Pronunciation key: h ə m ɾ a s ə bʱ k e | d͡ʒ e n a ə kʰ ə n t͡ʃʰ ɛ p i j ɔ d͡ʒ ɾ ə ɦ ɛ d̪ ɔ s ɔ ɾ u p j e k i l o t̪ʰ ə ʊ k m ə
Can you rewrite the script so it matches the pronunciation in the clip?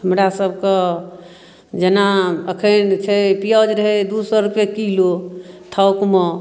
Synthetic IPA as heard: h ə m ɾ a s ə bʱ k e | d͡ʒ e n a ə kʰ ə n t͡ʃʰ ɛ p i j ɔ d͡ʒ ɾ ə ɦ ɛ d̪ u s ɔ ɾ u p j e k i l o t̪ʰ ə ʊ k m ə